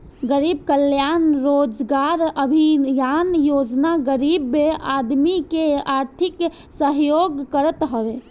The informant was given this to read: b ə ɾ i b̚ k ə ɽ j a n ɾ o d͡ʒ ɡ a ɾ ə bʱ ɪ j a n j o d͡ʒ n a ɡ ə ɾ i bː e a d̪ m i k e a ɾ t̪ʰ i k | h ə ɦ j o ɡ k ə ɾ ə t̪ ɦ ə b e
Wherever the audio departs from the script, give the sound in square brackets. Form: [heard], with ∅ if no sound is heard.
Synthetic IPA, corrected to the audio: [ɡ] ə ɾ i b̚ k ə [l] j a n ɾ o d͡ʒ ɡ a ɾ ə bʱ [i] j a n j o d͡ʒ n a ɡ ə ɾ i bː e a d̪ m i k e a ɾ t̪ʰ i k | [s] ə ɦ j o ɡ k ə ɾ ə t̪ ɦ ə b e